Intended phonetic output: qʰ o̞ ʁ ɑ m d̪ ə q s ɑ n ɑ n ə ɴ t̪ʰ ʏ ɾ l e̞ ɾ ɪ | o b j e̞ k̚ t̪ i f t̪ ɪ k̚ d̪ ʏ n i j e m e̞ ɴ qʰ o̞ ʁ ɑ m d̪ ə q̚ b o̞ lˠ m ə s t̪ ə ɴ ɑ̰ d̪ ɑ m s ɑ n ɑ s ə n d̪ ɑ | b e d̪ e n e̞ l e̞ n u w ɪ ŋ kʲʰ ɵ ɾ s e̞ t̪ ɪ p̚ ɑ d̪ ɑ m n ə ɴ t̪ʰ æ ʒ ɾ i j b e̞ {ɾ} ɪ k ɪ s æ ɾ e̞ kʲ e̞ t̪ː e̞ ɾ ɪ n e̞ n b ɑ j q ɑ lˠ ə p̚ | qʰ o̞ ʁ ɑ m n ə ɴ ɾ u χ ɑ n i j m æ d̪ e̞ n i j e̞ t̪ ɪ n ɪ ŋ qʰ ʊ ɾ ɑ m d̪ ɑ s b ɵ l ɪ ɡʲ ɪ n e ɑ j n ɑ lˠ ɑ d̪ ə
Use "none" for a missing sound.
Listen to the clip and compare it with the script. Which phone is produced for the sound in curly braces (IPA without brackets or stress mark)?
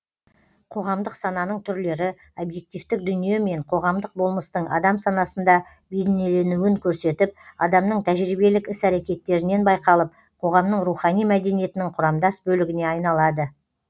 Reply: l